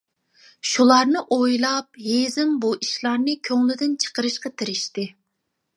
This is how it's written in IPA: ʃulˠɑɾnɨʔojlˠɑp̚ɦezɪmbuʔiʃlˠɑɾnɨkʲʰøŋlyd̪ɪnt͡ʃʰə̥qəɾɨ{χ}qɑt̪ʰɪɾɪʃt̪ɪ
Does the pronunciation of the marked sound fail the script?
yes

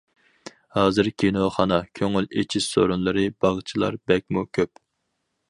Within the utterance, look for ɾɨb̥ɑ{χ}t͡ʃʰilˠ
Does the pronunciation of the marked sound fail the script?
yes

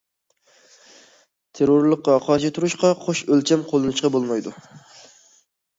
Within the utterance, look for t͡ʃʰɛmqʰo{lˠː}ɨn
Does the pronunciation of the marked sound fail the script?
yes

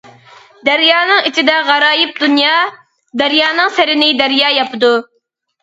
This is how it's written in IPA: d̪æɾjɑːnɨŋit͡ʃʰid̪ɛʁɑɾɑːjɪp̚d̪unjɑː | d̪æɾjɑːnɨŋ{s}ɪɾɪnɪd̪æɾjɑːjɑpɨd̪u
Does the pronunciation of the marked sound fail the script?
no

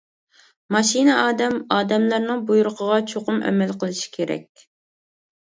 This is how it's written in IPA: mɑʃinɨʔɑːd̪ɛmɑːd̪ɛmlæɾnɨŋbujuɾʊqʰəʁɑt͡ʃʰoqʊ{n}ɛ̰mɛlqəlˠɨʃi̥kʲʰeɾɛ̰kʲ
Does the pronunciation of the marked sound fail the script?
yes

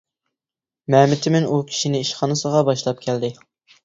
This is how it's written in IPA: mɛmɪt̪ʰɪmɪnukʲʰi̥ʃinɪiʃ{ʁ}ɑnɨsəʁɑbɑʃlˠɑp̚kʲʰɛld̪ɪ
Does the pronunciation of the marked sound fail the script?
yes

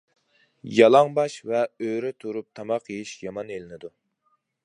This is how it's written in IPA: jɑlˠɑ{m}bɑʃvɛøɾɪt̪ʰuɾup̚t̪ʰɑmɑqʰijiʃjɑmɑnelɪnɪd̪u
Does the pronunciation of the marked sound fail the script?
yes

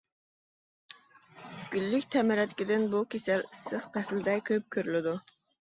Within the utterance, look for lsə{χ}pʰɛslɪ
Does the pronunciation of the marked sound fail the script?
no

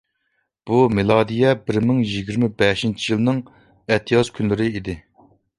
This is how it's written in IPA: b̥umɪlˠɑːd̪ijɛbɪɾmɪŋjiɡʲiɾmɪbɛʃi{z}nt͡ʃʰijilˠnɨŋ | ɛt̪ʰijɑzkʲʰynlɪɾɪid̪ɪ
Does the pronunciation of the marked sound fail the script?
yes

